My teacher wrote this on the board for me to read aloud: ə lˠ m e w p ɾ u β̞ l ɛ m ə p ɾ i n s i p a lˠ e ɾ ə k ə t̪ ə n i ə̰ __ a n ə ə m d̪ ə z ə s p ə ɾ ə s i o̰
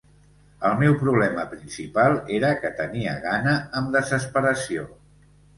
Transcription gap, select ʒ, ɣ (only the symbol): ɣ